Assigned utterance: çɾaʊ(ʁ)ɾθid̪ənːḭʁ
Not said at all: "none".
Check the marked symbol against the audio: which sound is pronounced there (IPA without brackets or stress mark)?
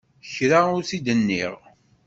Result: none